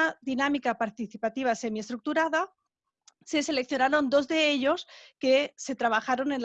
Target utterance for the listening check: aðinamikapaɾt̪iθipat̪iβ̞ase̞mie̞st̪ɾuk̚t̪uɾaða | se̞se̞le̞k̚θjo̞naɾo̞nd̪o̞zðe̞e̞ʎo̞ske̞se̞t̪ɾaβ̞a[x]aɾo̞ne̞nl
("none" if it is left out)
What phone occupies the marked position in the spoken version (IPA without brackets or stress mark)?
x